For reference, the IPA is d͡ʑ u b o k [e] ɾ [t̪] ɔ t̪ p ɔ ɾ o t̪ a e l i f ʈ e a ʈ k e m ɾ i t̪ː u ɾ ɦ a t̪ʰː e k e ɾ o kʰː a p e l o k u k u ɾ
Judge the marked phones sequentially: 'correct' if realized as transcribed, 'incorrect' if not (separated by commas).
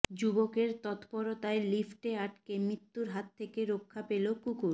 correct, correct